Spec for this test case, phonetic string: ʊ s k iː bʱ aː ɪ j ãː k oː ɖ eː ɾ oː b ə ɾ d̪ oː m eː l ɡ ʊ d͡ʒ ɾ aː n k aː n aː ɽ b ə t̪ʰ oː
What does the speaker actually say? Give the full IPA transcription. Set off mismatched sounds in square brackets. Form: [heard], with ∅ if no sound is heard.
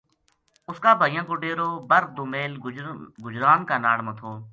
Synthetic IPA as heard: ʊ s k [aː] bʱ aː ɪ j ãː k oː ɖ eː ɾ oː b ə ɾ d̪ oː m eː l ɡ ʊ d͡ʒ ɾ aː n k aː n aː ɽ [m] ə t̪ʰ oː